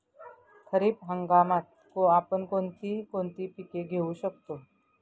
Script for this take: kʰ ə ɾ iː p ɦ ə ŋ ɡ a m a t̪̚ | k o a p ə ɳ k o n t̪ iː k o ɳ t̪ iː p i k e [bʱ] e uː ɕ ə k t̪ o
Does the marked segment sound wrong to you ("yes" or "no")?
yes